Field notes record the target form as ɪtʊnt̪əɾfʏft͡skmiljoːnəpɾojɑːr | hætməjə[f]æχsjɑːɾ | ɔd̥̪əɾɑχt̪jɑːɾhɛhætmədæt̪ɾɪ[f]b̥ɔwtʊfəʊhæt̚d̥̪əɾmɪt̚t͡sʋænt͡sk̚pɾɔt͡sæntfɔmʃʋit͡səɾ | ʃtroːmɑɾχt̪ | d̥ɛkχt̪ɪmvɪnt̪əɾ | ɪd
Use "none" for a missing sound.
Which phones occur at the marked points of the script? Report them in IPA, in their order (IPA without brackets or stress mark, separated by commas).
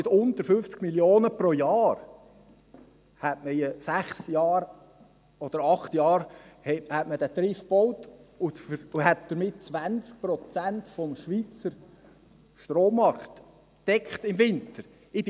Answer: s, f